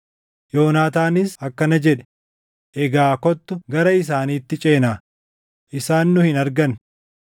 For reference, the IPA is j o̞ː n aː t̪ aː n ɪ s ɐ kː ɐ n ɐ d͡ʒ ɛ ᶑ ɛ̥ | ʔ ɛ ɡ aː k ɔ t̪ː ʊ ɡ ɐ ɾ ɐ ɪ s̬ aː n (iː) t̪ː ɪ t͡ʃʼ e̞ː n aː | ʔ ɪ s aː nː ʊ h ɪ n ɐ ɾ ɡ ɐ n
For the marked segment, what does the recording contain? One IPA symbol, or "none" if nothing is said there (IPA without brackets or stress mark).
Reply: iː